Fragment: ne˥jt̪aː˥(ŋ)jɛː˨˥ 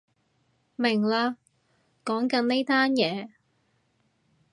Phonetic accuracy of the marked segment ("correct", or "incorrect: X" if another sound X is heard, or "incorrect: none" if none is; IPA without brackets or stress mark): incorrect: n